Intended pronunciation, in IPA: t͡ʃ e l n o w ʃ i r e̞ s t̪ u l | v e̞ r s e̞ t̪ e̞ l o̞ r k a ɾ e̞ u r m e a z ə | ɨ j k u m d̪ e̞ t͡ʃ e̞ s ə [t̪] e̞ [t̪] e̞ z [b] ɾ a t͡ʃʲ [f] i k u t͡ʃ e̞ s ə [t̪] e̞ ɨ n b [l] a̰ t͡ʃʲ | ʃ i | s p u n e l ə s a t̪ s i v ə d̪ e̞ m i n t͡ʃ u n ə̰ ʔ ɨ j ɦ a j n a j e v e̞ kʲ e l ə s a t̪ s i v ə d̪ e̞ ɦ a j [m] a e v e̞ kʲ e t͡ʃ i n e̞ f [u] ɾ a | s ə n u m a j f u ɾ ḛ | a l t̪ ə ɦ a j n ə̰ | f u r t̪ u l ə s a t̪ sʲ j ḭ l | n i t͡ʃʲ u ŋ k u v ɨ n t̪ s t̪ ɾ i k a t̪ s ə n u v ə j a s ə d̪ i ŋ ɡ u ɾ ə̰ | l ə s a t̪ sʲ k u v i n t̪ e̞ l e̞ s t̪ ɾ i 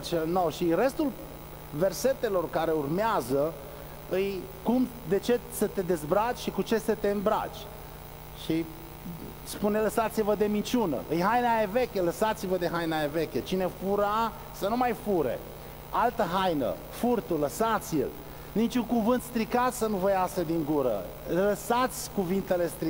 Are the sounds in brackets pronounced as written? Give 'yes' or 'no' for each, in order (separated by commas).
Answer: yes, no, yes, no, yes, no, no, yes